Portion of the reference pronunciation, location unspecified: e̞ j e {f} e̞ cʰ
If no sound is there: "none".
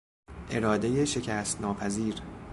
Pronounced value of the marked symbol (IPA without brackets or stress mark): ʃ